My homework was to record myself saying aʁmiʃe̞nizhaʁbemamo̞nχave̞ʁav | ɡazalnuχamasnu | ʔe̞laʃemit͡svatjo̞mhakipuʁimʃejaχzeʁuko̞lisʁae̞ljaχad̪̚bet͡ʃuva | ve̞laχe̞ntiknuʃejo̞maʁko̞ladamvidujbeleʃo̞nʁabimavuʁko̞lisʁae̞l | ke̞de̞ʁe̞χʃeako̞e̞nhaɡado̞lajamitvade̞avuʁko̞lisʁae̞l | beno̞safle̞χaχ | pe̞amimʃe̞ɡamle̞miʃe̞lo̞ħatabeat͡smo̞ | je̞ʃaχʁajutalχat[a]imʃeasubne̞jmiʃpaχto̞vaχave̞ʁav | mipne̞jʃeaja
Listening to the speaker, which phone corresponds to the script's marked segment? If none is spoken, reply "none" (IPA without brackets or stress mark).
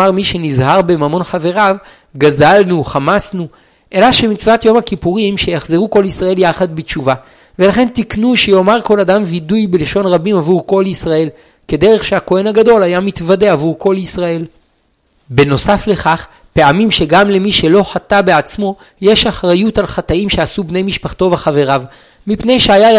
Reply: a